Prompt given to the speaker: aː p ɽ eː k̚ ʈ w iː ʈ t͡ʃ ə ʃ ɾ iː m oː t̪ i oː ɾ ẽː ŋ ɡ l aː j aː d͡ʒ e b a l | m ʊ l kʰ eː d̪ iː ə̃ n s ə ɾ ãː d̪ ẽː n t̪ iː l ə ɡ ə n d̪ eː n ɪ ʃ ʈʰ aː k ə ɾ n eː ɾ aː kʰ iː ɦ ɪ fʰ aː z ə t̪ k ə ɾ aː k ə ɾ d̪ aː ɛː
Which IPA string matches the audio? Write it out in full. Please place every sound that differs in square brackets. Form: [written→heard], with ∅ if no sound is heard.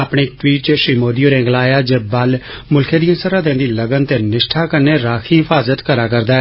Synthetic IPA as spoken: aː p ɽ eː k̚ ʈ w iː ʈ t͡ʃ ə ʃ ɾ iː m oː [t̪→d̪] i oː ɾ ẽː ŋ ɡ l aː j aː d͡ʒ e b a l | m ʊ l kʰ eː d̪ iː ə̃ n s ə ɾ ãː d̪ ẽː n [t̪→d̪] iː l ə ɡ ə n [d̪→t̪] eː n ɪ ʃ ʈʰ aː k ə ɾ n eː ɾ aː kʰ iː ɦ ɪ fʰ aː z ə t̪ k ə ɾ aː k ə ɾ d̪ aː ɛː